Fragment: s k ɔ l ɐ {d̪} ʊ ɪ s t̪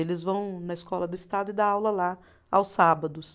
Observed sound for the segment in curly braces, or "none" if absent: d̪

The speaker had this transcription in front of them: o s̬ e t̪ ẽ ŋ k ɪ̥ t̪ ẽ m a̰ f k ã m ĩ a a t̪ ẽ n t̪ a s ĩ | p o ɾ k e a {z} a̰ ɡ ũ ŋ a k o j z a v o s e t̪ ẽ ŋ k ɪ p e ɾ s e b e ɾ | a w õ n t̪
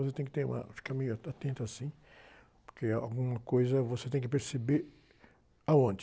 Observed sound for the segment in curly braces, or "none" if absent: none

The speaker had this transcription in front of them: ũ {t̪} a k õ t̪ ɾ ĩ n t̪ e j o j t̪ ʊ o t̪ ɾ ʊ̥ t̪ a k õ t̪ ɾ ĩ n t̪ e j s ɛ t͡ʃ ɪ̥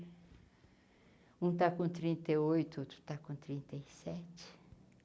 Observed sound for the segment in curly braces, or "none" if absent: t̪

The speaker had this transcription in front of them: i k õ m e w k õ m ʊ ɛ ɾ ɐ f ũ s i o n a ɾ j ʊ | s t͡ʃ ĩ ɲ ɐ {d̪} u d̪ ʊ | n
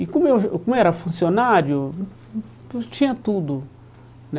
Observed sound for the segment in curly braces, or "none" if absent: t̪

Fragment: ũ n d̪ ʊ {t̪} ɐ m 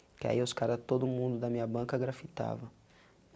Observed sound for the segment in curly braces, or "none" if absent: d̪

